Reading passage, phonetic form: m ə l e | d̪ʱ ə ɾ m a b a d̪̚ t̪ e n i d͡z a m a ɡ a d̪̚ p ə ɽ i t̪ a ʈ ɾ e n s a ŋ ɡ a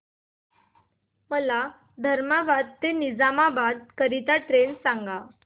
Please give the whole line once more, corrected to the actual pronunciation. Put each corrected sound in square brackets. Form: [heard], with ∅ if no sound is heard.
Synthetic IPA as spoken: m ə l [a] | d̪ʱ ə ɾ m a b a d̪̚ t̪ e n i d͡z a m a [b] a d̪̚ [k] ə [ɾ] i t̪ a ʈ ɾ e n s a ŋ ɡ a